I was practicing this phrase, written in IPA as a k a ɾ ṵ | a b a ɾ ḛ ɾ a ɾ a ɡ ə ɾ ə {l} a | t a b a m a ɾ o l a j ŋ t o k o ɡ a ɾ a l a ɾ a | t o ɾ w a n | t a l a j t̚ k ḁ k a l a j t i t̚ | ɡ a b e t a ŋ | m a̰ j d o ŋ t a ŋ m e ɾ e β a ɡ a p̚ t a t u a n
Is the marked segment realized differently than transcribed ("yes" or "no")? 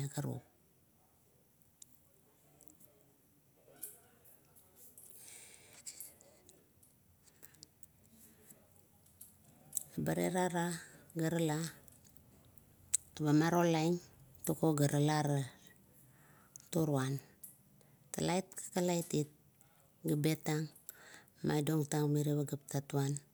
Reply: no